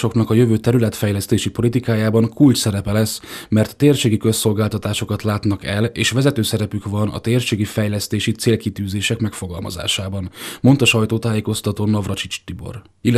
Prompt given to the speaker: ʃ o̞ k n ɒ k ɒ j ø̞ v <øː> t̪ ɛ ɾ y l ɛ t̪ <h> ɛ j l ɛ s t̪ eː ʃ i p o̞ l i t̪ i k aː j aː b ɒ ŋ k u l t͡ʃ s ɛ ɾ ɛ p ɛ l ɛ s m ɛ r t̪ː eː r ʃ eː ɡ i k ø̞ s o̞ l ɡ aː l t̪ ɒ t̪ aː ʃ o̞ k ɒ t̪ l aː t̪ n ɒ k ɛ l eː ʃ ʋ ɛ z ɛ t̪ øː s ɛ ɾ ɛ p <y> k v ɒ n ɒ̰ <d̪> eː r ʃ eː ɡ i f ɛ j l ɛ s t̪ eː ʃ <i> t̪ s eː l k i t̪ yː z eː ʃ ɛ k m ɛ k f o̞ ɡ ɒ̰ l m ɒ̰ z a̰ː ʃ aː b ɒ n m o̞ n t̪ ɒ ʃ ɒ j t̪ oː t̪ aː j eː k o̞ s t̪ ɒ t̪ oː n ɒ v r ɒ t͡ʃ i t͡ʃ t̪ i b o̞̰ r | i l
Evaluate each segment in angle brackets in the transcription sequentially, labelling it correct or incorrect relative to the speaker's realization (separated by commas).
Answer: correct, incorrect, correct, incorrect, correct